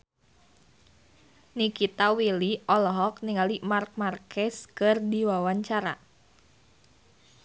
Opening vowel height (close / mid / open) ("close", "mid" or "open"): close